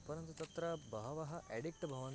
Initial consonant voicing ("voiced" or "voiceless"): voiceless